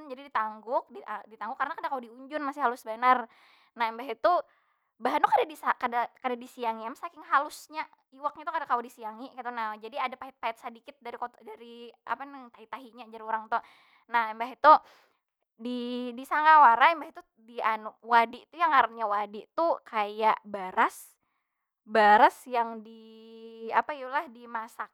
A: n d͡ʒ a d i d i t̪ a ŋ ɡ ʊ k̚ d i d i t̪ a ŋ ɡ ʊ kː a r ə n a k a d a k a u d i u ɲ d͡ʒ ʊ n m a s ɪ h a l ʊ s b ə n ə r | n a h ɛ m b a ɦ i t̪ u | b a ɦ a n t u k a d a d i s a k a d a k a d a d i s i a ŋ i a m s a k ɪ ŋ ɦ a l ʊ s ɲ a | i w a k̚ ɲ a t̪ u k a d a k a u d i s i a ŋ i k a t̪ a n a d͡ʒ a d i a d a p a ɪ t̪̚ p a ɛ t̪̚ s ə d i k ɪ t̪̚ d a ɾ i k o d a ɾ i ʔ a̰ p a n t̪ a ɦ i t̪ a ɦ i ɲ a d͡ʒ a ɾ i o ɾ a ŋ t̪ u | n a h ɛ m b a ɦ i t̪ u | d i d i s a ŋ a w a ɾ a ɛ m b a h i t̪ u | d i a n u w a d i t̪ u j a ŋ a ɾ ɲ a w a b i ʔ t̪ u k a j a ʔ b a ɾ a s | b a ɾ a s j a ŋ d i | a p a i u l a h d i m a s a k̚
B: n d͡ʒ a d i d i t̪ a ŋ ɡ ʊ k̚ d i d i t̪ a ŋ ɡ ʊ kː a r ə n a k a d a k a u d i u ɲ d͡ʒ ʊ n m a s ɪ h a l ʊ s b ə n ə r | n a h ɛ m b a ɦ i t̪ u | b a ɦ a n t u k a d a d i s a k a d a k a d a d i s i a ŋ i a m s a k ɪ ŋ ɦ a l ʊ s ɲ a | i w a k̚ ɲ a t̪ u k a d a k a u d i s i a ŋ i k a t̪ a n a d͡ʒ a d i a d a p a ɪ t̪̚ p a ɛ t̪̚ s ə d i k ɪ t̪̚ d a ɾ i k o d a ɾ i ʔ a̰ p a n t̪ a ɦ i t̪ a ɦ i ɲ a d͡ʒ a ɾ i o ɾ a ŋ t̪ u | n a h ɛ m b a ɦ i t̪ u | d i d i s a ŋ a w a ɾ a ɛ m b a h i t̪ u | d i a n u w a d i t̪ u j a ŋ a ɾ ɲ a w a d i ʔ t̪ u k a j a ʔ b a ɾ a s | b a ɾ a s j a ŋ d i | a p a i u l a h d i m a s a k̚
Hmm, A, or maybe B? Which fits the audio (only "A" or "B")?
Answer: B